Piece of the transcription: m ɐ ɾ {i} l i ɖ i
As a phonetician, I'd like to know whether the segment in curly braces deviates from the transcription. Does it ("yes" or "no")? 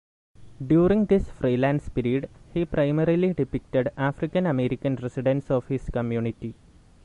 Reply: no